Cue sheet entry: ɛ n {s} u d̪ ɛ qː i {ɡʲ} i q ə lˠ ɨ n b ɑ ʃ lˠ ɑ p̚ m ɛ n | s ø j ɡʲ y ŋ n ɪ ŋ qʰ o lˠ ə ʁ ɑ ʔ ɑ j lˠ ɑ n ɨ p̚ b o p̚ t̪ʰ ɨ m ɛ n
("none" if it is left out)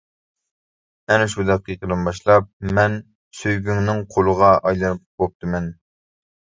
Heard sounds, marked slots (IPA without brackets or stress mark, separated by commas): ʃ, none